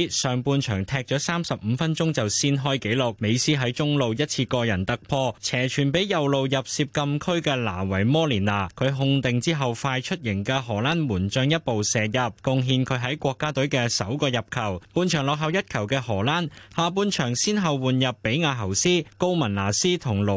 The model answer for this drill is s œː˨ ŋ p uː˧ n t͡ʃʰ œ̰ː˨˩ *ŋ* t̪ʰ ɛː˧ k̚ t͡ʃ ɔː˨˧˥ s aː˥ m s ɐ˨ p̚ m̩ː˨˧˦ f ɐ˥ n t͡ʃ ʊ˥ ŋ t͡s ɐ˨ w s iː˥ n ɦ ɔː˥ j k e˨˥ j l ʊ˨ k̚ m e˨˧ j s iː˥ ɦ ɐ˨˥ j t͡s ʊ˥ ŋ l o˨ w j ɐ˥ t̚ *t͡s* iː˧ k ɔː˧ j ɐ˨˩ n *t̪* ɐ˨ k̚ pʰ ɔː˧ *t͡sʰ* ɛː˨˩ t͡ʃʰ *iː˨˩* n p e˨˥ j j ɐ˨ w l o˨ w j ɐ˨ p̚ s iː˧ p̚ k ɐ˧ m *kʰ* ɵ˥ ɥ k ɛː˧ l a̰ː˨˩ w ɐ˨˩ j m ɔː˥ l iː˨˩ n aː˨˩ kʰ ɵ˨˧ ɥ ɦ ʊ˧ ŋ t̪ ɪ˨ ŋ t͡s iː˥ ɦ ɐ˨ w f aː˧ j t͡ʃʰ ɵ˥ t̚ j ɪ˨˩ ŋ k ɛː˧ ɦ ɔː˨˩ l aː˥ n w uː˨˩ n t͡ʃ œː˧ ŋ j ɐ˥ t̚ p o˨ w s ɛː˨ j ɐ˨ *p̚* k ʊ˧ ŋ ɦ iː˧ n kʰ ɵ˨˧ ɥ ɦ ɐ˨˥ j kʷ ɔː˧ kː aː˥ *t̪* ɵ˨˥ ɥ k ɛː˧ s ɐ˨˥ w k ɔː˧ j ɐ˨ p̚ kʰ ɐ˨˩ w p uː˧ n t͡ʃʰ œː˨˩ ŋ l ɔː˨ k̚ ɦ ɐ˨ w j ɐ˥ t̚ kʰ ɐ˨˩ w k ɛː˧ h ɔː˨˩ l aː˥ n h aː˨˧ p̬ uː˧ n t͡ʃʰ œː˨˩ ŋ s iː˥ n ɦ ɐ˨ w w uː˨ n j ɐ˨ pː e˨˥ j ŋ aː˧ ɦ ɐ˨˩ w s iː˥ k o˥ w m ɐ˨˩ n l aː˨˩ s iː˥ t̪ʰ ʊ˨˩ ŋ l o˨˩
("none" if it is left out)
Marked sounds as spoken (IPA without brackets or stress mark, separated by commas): ŋ, t͡sʰ, t̪, t͡sʰ, yː˨˩, kʰ, p̚, t̪